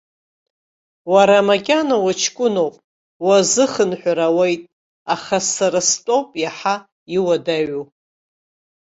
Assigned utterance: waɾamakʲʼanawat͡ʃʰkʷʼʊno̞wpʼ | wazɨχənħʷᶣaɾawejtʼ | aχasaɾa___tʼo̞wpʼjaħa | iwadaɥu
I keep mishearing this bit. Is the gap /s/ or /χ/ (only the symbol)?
s